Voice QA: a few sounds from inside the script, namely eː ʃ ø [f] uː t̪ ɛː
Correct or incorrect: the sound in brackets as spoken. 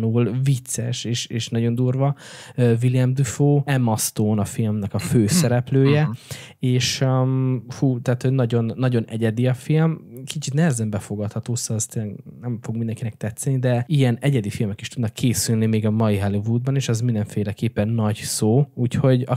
correct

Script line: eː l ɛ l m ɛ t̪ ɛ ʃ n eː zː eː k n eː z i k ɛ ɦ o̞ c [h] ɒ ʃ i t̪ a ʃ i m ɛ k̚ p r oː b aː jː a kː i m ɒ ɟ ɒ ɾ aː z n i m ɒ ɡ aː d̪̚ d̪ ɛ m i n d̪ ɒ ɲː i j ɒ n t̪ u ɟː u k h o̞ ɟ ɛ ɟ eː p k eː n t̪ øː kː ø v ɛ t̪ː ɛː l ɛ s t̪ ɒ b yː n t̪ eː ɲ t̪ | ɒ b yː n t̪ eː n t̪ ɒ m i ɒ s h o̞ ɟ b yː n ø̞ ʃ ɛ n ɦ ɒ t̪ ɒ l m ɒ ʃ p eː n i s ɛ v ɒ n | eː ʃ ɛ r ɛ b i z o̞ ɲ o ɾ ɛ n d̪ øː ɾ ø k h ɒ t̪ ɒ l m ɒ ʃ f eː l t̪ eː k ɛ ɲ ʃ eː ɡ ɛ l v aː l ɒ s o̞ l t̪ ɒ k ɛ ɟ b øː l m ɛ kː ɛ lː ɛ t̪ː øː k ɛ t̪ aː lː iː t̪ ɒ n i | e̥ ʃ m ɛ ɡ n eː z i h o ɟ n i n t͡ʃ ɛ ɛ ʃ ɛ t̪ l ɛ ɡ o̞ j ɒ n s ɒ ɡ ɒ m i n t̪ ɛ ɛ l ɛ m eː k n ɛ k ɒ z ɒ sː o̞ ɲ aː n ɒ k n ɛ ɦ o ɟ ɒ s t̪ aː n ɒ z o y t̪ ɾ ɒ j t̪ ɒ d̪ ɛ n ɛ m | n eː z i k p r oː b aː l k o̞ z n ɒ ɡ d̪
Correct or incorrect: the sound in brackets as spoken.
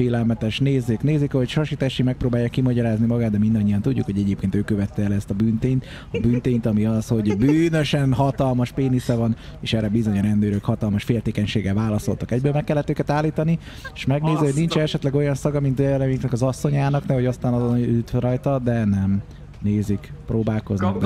incorrect: ʃ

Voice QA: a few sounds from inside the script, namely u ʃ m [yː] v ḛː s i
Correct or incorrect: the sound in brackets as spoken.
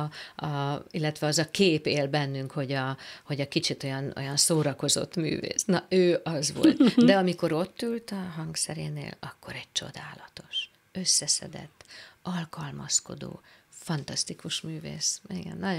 correct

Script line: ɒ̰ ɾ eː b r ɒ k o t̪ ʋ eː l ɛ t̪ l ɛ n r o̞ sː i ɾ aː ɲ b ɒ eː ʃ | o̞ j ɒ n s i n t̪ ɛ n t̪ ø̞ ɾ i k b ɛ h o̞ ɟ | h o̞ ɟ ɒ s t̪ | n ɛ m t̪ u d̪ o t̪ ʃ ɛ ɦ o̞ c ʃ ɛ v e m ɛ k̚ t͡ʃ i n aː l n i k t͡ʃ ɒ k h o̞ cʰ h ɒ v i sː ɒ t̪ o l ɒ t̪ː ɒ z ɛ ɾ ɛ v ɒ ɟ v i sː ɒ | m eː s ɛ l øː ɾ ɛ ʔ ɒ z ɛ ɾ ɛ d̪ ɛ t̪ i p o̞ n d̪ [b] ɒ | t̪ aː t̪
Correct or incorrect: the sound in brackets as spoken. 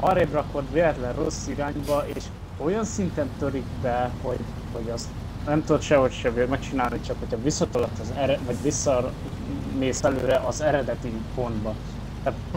correct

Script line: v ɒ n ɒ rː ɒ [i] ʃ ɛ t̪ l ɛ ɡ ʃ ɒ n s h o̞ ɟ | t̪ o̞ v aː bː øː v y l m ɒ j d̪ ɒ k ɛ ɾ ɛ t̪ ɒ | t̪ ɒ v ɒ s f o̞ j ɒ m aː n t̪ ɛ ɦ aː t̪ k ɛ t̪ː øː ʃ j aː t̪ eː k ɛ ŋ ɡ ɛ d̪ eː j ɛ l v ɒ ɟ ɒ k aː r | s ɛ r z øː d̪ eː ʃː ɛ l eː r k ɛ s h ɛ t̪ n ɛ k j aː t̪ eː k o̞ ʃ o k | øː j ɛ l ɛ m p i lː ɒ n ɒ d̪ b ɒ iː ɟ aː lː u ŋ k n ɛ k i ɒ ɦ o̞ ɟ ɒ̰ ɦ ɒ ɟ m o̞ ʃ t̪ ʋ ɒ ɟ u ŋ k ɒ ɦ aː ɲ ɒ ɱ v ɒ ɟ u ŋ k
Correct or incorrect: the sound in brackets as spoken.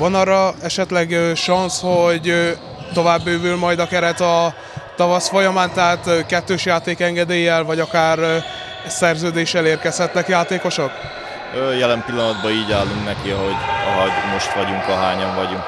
incorrect: ɛ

